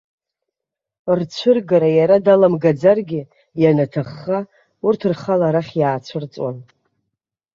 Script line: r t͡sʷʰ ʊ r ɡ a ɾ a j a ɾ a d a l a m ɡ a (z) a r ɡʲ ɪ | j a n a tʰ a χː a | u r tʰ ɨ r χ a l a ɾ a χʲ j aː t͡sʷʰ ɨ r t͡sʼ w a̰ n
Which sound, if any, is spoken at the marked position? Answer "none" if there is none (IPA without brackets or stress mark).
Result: d͡z